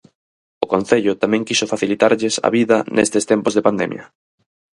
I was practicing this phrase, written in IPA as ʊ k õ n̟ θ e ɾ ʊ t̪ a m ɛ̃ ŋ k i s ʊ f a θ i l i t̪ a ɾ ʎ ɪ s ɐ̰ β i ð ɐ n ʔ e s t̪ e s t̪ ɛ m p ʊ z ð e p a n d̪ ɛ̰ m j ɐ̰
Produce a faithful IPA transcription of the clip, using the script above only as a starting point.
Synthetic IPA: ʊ k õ n̟ θ e ʎ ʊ t̪ a m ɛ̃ ŋ k i s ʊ f a θ i l i t̪ a ɾ ʎ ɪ s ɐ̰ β i ð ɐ n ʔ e s t̪ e s t̪ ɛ m p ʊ z ð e p a n d̪ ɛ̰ m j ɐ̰